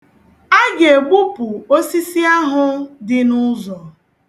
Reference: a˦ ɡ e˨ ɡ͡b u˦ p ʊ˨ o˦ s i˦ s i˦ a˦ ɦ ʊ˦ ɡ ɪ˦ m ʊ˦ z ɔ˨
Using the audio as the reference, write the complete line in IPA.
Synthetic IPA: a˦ ɡ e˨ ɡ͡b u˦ p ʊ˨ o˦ s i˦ s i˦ a˦ ɦ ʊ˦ d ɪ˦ n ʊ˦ z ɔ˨